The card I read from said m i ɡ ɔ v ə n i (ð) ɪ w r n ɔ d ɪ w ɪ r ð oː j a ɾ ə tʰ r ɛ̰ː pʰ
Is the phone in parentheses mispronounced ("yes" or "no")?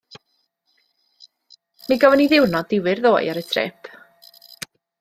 no